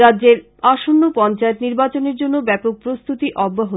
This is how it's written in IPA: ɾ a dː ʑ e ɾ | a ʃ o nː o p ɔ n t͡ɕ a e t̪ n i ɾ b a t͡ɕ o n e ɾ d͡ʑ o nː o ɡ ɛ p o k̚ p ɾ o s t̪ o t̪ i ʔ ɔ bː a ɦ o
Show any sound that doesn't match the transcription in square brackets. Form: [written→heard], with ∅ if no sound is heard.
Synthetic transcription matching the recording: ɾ a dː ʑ e ɾ | a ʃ o nː o p ɔ n t͡ɕ a e t̪ n i ɾ b a t͡ɕ o n e ɾ d͡ʑ o nː o [ɡ→b] ɛ p o k̚ p ɾ o s t̪ [o→u] t̪ i ʔ ɔ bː a ɦ o